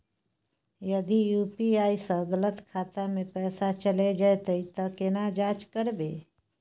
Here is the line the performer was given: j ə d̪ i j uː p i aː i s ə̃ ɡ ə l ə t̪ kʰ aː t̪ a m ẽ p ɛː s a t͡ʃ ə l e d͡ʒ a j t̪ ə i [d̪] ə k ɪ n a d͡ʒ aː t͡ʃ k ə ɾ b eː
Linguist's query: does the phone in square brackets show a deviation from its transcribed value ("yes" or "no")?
yes